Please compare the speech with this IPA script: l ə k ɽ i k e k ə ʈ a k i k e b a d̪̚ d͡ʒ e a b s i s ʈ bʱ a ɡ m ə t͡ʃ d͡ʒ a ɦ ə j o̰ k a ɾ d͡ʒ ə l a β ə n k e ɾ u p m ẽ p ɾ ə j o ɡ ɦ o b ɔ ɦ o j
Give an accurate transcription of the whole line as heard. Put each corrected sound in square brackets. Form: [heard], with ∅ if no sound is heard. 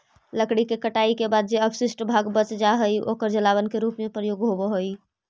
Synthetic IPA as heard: l ə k ɽ i k e k ə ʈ a [∅] i k e b a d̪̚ d͡ʒ e [ə] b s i s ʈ bʱ a ɡ [b] ə t͡ʃ d͡ʒ a ɦ ə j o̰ k [ə] ɾ d͡ʒ ə l a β ə n k e ɾ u p m [e] p ɾ ə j o ɡ ɦ o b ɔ ɦ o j